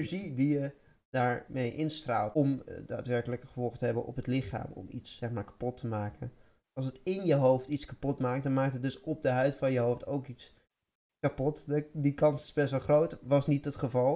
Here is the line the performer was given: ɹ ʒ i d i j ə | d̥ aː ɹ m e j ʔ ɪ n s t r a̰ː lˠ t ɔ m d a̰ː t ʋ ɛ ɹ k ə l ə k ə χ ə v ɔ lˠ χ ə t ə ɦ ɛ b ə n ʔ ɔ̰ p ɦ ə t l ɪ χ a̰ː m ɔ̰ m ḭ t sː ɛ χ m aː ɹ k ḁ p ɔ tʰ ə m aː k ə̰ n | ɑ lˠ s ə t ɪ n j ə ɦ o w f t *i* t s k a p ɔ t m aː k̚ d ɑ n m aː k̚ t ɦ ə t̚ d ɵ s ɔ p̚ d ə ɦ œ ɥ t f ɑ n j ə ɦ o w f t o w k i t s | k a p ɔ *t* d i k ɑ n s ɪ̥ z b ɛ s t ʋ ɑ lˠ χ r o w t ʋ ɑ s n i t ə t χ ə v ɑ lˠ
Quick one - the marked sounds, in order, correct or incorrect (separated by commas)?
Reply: correct, correct